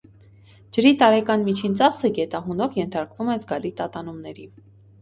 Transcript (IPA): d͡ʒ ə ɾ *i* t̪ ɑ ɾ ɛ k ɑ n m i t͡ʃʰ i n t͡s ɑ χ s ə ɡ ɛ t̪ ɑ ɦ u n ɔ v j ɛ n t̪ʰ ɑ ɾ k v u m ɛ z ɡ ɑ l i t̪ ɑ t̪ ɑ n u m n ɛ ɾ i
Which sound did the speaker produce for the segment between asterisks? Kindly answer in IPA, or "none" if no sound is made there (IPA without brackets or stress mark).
i